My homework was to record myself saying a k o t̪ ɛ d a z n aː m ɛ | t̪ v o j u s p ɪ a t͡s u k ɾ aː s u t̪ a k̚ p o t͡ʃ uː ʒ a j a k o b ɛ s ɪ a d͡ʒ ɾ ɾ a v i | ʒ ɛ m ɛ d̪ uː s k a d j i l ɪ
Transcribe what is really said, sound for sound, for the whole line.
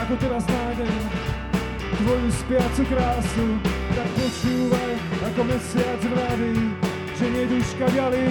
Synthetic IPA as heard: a k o t̪ ɛ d a z n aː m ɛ | t̪ v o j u s p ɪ a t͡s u k ɾ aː s u t̪ a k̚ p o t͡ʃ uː v a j a k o m ɛ s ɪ a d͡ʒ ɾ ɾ a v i | ʒ ɛ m ɛ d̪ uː ʃ k a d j a l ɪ